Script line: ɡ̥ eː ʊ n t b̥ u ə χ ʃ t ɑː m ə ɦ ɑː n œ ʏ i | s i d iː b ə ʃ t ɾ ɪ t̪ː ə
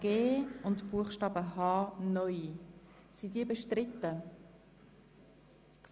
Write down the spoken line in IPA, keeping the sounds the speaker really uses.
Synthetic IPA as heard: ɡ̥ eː ʊ n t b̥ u ə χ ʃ t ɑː b ə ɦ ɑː n œ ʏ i | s i d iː b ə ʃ t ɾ ɪ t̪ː ə